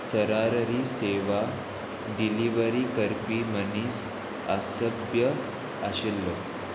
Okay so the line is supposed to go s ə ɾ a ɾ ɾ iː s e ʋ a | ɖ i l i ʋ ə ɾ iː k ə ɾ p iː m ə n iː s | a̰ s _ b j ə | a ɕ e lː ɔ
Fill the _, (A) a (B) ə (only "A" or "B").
B